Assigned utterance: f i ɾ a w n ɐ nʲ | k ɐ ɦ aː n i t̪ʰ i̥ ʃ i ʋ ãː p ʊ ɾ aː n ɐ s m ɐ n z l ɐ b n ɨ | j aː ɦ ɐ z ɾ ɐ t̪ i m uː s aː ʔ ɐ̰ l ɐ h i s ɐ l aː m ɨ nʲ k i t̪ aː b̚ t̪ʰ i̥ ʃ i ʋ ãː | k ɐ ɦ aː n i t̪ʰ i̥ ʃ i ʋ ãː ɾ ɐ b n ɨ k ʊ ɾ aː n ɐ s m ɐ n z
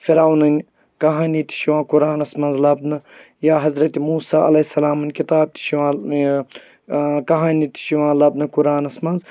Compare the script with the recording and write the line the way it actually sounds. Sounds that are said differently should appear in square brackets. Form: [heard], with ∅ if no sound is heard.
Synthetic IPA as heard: f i ɾ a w n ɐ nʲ | k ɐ ɦ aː n i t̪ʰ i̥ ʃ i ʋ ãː [k] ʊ ɾ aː n ɐ s m ɐ n z l ɐ b n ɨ | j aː ɦ ɐ z ɾ ɐ t̪ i m uː s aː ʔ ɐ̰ l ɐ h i s ɐ l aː m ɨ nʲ k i t̪ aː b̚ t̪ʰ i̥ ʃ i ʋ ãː | k ɐ ɦ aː n i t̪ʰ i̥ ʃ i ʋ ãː [l] ɐ b n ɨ k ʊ ɾ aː n ɐ s m ɐ n z